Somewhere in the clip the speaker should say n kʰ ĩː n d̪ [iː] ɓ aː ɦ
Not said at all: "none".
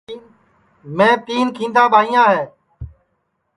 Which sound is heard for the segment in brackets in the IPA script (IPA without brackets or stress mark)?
aː